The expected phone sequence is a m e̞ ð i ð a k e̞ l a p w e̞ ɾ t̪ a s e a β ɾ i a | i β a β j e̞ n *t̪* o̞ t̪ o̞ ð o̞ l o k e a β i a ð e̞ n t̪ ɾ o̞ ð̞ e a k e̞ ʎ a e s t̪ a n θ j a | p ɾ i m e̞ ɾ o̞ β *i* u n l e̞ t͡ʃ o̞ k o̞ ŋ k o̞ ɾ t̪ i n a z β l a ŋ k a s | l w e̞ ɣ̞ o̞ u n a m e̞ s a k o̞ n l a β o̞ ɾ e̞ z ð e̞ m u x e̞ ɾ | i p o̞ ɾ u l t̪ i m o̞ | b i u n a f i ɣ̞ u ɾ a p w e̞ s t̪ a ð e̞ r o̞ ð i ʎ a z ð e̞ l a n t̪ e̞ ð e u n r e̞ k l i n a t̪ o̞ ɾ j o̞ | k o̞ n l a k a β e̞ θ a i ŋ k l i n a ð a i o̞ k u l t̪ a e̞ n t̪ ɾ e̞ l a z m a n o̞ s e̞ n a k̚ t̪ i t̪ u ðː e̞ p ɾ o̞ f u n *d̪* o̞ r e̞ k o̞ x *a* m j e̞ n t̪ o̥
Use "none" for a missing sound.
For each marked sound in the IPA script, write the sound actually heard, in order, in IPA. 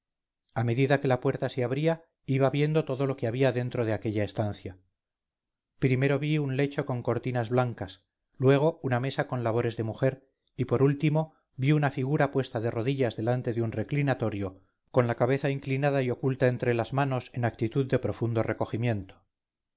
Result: d̪, i, d̪, i

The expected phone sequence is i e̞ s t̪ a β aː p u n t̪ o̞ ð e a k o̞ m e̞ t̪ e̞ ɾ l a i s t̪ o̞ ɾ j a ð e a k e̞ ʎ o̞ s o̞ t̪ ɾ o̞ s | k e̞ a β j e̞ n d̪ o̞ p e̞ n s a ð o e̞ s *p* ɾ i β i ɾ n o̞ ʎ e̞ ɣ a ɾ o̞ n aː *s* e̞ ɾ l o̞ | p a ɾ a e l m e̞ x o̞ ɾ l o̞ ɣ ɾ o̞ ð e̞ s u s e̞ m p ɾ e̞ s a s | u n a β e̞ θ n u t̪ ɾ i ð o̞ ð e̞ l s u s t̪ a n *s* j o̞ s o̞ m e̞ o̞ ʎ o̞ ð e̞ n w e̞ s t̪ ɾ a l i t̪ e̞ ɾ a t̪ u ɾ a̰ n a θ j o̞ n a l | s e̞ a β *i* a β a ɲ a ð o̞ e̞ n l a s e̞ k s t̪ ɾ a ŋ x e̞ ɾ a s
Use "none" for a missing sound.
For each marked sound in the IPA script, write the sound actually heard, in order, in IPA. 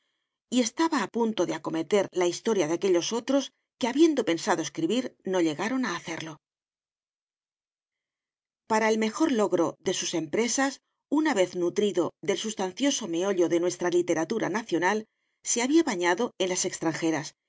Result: k, θ, θ, i

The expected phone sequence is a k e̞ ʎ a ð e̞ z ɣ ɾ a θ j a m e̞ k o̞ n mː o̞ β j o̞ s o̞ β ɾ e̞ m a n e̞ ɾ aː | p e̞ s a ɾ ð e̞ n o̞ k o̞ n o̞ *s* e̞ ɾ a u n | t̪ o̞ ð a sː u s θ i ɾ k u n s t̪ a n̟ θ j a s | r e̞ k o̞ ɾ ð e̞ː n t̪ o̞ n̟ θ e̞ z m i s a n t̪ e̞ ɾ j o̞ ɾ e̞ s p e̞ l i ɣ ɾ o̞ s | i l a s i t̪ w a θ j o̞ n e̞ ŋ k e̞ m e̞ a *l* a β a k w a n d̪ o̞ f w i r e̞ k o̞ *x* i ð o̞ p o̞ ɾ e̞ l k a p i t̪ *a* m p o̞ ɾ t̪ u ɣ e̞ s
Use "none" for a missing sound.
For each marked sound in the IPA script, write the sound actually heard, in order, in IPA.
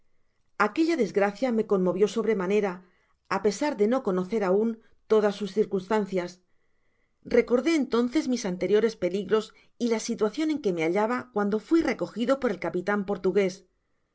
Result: θ, ʎ, x, a

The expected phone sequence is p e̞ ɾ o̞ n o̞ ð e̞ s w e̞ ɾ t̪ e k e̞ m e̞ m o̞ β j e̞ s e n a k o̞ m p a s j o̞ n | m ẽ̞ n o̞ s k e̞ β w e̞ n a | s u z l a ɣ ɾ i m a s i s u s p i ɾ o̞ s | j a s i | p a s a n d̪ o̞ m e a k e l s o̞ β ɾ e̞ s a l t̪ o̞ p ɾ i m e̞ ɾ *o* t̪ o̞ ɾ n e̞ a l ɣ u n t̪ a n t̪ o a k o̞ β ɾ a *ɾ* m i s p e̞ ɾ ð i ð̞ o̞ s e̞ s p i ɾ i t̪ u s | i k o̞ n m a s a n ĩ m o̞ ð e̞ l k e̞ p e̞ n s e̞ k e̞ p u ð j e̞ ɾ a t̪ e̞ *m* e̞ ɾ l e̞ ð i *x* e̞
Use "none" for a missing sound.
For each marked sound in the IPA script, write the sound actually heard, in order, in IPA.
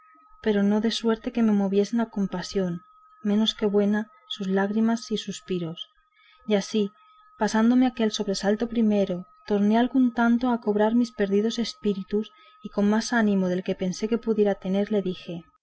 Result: o, ɾ, n, x

